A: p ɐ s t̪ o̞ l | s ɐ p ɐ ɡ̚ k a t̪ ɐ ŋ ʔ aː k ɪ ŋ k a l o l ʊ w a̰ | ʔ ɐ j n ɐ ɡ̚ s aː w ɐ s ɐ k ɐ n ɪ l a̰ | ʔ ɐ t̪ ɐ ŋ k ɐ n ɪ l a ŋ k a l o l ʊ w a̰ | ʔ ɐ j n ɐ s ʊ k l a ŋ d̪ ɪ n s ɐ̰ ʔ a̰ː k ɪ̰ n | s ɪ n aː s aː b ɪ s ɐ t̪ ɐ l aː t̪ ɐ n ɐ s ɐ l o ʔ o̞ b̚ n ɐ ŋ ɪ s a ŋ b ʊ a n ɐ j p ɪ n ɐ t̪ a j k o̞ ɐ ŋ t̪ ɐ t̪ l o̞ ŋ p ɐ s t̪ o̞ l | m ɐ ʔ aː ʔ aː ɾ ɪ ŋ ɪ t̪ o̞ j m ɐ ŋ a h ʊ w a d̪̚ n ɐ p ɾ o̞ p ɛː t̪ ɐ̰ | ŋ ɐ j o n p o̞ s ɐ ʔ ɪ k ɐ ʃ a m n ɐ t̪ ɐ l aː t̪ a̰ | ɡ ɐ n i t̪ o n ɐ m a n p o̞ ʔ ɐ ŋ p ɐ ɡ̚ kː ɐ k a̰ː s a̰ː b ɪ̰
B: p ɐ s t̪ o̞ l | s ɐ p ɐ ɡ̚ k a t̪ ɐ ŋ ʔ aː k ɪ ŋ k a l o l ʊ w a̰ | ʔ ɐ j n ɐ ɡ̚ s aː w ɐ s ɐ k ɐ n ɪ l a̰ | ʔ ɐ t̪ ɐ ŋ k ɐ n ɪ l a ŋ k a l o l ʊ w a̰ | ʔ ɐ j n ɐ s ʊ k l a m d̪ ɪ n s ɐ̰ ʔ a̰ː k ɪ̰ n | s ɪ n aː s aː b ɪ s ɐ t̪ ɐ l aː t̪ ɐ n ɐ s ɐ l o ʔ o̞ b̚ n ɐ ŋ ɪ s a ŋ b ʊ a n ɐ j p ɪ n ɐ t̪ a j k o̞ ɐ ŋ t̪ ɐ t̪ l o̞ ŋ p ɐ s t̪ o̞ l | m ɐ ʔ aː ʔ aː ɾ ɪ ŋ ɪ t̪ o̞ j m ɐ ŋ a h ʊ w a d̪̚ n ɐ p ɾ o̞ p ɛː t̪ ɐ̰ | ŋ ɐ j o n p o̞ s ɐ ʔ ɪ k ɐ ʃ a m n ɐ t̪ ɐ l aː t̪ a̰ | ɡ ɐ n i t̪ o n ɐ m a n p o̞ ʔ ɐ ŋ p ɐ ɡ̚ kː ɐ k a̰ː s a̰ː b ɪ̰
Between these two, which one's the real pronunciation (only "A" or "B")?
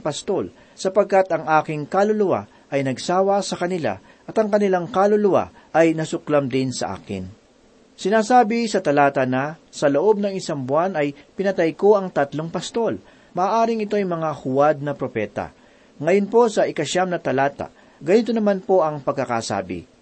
B